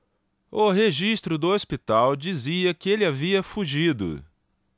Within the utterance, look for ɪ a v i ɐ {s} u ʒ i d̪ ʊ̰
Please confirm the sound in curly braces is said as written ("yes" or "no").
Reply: no